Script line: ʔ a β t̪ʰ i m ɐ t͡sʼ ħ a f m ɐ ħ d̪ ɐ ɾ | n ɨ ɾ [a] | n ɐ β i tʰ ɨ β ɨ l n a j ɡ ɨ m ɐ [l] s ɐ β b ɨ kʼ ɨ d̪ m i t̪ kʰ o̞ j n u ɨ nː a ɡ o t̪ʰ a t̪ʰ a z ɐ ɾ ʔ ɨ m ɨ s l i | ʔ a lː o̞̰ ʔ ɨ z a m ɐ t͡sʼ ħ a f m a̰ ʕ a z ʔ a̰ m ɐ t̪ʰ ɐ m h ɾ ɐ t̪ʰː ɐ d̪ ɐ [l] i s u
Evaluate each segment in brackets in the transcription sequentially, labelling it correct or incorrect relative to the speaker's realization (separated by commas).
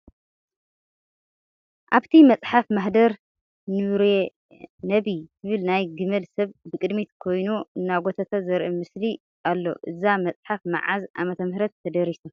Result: incorrect, correct, incorrect